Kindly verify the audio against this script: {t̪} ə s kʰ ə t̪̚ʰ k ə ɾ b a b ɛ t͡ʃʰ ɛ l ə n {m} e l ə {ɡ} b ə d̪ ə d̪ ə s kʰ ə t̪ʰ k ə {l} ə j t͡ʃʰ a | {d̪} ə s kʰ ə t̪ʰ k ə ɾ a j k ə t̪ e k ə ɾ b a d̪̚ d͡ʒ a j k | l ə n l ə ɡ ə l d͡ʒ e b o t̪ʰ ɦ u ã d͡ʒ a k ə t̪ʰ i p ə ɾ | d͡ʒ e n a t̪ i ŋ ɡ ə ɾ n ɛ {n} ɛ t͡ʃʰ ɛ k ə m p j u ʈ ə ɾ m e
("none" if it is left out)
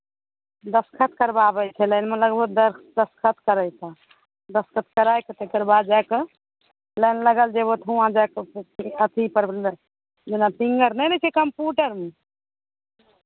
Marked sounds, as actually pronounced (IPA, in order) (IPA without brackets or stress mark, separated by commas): d̪, m, ɡ, ɾ, d̪, n